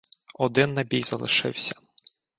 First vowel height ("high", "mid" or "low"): mid